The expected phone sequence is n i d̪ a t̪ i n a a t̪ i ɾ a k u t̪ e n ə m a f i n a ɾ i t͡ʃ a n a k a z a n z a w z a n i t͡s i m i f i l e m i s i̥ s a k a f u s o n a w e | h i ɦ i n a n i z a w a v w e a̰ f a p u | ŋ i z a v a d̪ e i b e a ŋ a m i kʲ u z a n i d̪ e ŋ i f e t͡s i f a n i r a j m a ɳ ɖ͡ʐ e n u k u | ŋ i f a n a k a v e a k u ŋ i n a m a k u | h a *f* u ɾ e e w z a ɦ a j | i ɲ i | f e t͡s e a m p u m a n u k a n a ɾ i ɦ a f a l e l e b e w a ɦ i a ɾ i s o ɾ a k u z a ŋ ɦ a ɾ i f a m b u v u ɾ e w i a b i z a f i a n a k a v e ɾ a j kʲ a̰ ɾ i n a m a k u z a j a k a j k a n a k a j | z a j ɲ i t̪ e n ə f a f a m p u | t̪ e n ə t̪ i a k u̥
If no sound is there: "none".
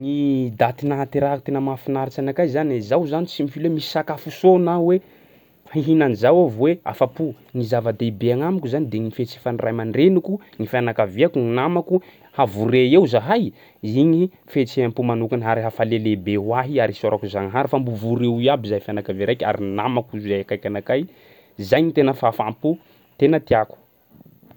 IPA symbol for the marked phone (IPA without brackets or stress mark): v